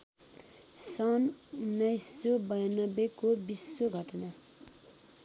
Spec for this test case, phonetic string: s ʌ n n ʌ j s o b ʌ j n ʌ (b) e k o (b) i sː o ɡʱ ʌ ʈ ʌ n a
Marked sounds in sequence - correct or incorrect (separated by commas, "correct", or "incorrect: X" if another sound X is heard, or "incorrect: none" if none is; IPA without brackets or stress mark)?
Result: correct, correct